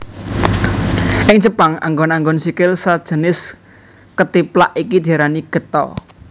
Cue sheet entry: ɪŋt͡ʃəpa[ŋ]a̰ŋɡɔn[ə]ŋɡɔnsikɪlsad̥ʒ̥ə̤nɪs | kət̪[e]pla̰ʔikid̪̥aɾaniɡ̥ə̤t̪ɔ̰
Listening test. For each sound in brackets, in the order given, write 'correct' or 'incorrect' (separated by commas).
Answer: correct, incorrect, incorrect